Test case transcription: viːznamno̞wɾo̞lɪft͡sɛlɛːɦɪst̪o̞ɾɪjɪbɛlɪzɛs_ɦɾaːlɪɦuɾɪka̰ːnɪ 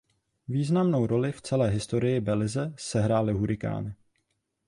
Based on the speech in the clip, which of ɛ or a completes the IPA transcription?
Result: ɛ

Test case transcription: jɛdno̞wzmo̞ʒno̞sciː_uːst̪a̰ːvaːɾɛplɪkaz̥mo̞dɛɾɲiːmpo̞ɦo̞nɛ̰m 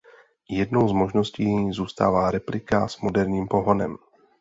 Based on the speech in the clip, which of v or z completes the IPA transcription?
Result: z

